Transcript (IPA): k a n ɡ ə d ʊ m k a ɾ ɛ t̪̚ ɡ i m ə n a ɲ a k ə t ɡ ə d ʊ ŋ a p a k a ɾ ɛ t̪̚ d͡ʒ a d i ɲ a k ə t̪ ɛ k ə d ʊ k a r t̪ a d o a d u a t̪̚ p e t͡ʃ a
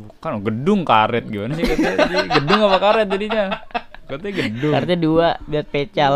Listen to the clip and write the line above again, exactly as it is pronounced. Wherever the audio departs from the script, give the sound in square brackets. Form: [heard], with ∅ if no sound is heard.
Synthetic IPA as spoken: k a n ɡ ə d ʊ [ŋ] k a ɾ ɛ t̪̚ ɡ i m [a] n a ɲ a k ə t ɡ ə d ʊ ŋ a p a k a ɾ ɛ t̪̚ d͡ʒ a d i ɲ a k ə t̪ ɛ [ɡ] ə d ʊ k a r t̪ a d [u] a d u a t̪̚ p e t͡ʃ a